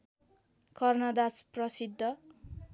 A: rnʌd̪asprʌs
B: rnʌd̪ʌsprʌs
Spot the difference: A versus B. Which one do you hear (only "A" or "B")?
A